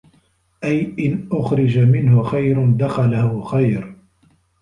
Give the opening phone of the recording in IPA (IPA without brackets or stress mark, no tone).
ʔ